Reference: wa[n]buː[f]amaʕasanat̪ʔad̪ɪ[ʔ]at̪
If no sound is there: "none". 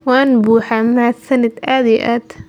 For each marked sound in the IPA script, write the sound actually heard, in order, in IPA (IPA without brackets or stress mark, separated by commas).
n, ħ, ʔ